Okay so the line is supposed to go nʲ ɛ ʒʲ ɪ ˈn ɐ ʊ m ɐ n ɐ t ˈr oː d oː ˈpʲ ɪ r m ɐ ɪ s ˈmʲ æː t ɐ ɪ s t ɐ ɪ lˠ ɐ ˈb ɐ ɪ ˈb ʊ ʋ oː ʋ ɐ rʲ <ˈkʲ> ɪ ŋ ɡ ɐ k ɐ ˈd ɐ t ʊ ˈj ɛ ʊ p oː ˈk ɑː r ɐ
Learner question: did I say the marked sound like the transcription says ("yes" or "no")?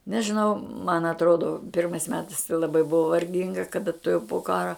no